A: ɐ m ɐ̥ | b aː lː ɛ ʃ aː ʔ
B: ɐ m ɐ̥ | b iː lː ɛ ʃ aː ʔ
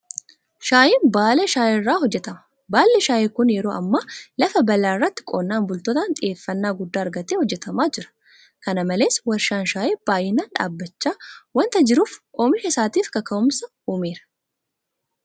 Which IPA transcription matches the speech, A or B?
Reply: A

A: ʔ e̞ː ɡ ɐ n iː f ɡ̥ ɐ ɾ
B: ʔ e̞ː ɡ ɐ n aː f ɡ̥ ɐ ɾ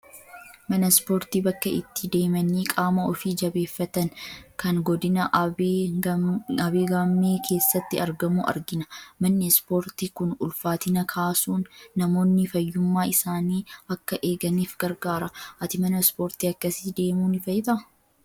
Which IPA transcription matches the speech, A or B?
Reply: A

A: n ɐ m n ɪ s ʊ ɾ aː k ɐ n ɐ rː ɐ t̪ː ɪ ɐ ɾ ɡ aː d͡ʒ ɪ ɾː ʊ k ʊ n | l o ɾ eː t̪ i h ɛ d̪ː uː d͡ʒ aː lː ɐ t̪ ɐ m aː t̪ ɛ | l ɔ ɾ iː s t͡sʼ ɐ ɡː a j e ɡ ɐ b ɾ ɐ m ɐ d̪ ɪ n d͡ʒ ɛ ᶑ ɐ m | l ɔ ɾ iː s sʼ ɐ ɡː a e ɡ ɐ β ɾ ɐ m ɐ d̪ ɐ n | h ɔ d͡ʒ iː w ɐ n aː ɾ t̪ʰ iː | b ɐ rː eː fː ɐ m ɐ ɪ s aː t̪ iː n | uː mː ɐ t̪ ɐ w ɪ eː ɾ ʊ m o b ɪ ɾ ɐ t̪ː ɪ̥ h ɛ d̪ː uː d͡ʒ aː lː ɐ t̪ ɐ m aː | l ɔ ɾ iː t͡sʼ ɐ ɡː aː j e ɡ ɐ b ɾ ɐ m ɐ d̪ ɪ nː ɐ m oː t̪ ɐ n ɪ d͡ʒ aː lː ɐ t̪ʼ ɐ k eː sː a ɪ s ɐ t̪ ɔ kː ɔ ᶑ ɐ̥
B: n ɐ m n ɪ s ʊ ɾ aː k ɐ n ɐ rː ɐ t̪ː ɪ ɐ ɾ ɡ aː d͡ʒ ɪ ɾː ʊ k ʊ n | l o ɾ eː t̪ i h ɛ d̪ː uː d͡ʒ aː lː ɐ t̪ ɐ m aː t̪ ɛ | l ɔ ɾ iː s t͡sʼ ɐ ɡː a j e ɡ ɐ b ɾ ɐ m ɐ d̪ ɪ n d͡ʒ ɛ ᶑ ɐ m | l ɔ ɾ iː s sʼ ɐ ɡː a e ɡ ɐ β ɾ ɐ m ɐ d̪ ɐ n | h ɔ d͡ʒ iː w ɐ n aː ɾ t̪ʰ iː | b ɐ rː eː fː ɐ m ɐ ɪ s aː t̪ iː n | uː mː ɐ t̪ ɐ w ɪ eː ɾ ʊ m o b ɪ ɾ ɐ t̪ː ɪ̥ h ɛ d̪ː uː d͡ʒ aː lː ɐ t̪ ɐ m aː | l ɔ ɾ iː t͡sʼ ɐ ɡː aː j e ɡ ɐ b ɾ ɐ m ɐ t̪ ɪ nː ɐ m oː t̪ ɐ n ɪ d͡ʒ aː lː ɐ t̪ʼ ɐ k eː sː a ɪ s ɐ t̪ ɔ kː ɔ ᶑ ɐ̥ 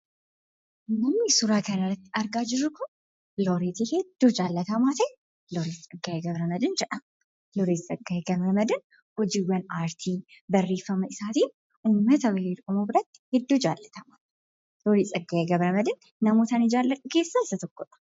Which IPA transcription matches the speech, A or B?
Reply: A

